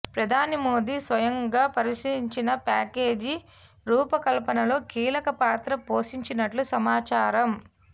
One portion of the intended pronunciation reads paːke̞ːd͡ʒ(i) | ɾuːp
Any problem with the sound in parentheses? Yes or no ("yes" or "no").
no